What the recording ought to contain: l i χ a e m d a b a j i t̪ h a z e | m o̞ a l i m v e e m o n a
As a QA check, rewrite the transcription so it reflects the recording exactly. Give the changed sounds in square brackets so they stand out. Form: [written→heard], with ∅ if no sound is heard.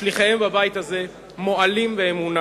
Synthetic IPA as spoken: l i χ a e m [d→b] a b a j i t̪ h a z e | m o̞ a l i m v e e m [o→u] n a